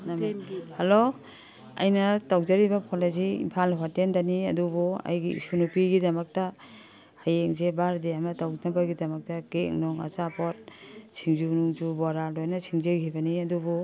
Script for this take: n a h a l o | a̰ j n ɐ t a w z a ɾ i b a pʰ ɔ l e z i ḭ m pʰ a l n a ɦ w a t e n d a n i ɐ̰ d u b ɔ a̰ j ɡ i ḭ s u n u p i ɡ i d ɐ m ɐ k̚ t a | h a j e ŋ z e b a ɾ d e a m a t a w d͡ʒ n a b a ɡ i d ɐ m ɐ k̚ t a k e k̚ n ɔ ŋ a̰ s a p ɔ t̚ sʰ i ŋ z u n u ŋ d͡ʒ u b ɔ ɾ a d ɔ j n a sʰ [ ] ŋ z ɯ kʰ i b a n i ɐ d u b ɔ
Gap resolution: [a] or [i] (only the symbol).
i